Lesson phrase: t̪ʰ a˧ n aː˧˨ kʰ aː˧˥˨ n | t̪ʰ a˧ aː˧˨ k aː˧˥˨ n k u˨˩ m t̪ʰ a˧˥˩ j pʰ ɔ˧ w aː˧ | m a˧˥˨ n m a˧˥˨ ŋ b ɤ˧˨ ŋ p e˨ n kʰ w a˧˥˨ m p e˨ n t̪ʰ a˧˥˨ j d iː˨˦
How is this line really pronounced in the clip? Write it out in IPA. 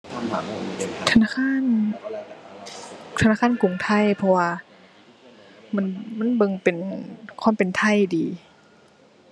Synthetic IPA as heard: t̪ʰ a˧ n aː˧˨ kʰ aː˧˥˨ n | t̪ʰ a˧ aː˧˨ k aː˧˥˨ n k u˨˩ ŋ t̪ʰ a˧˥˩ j pʰ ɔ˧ w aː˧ | m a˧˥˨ n m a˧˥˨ n b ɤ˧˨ ŋ p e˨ n kʰ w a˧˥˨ m p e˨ n t̪ʰ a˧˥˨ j d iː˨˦